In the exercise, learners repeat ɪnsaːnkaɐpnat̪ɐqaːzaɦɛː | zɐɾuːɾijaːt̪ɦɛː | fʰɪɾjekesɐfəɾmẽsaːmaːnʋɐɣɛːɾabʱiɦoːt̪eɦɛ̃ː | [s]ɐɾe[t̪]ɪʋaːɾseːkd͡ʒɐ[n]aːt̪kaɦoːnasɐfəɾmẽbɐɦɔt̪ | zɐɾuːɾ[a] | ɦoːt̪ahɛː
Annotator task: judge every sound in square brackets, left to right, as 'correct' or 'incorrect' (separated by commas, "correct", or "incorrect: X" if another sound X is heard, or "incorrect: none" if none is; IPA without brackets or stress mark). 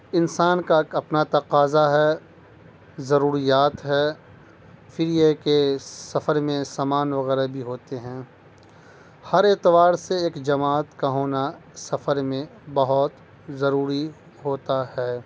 incorrect: h, correct, incorrect: m, incorrect: i